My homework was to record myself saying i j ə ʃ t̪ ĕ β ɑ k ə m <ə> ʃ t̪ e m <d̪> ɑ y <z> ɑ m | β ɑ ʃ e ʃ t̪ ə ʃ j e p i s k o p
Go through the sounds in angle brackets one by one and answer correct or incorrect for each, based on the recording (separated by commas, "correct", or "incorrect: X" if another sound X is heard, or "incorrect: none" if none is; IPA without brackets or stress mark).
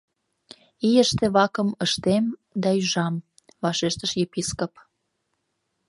correct, correct, incorrect: ʒ